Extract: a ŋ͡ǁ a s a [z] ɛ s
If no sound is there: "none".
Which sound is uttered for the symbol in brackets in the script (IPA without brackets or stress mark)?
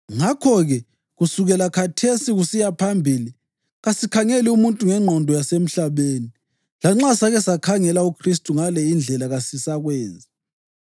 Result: ɣ